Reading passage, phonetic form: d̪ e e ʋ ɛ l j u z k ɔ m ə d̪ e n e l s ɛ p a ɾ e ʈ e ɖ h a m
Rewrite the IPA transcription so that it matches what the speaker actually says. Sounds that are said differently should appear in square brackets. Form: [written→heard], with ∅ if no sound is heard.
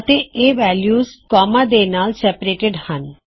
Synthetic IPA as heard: [d̪→t̪] e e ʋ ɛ l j u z k ɔ m [ə→a] d̪ e n [e→a] l s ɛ p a ɾ e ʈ e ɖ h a [m→n]